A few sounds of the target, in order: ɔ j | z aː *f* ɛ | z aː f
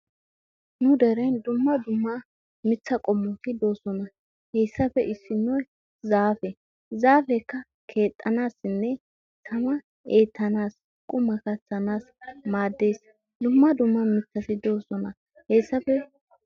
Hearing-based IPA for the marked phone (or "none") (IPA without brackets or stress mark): f